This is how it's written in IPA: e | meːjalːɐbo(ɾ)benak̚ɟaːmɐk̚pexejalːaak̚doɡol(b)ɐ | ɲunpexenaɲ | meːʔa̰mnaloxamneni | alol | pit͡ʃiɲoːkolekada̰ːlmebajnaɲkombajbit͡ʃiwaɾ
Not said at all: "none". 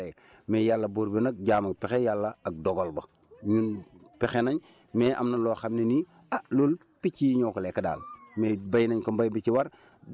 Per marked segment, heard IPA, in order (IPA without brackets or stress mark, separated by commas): ɾ, b